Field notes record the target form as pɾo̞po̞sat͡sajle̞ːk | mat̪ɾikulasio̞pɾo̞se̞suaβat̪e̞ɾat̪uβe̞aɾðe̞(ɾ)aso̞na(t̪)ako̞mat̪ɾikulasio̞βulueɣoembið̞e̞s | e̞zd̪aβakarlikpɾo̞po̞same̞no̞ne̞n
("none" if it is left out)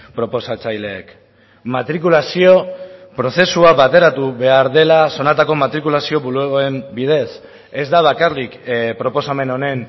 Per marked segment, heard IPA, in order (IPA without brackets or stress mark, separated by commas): l, t̪